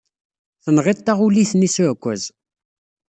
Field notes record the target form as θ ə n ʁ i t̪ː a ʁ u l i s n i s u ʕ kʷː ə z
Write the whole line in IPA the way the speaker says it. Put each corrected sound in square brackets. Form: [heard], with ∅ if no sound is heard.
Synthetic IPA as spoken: θ ə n ʁ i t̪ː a ʁ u l i [θ] n i s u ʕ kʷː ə z